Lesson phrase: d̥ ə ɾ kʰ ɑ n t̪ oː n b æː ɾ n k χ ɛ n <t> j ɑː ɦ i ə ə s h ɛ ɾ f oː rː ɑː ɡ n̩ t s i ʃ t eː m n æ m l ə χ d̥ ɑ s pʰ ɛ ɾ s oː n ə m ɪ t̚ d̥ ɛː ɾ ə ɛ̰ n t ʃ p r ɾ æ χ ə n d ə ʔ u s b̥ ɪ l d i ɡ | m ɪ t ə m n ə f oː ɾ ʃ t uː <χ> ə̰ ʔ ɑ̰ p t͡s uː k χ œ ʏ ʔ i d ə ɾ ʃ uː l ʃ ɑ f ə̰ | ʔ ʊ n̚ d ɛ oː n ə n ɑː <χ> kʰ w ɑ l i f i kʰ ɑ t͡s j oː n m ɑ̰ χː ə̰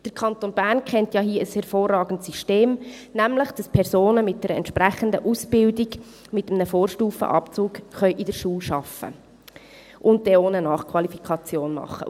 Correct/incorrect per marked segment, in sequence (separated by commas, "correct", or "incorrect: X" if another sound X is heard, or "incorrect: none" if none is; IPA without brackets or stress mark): correct, incorrect: f, correct